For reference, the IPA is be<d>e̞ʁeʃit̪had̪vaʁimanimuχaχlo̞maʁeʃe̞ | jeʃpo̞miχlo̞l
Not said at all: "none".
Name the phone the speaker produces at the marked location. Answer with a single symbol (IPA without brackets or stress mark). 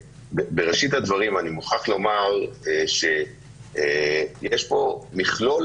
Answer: b